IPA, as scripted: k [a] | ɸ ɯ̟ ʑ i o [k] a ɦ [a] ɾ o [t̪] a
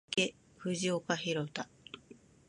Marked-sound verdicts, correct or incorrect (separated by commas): incorrect, correct, incorrect, correct